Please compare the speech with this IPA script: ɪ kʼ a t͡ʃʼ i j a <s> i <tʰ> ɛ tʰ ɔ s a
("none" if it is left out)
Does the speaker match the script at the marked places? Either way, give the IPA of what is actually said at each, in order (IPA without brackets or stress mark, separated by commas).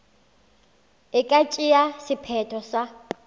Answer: s, pʰ